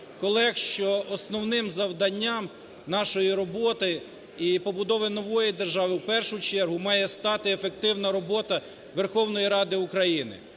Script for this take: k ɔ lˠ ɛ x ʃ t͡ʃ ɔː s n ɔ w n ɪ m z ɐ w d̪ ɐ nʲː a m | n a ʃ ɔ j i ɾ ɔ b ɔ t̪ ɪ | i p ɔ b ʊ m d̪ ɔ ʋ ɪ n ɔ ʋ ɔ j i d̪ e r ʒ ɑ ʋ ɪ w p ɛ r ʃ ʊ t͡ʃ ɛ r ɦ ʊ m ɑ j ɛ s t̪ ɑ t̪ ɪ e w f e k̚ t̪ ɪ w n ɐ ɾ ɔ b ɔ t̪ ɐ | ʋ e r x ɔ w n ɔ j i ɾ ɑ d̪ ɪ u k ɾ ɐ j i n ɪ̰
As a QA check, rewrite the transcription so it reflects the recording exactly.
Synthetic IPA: k ɔ lˠ ɛ x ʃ t͡ʃ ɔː s n ɔ w n ɪ m z ɐ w d̪ ɐ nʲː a m | n ɑ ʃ ɔ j i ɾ ɔ b ɔ t̪ ɪ | i p ɔ b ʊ d̪ ɔ ʋ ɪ n ɔ ʋ ɔ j i d̪ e r ʒ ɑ ʋ ɪ w p ɛ r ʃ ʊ t͡ʃ ɛ r ɦ ʊ m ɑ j ɛ s t̪ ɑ t̪ ɪ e f e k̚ t̪ ɪ w n ɐ ɾ ɔ b ɔ t̪ ɐ | ʋ e r x ɔ w n ɔ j i ɾ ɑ d̪ ɪ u k ɾ ɐ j i n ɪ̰